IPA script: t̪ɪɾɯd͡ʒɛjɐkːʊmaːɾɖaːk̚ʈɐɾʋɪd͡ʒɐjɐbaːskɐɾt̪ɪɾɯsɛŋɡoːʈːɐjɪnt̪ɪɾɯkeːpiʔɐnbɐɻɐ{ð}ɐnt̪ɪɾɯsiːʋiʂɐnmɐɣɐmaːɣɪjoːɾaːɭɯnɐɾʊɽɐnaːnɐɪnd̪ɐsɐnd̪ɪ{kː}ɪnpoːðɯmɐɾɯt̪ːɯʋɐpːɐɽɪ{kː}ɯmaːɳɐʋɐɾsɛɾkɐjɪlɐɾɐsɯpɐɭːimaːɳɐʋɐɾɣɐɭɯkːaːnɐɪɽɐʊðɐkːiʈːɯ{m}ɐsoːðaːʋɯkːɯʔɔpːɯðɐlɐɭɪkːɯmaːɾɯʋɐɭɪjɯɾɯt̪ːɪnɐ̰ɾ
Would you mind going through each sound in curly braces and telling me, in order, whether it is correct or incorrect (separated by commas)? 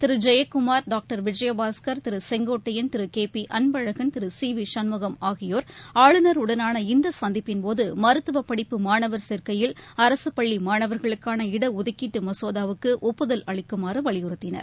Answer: incorrect, incorrect, incorrect, correct